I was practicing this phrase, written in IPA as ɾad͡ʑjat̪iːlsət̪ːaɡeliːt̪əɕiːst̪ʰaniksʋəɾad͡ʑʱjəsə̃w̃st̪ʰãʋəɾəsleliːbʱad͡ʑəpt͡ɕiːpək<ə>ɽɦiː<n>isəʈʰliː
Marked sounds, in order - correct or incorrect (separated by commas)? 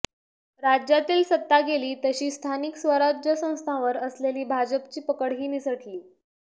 correct, correct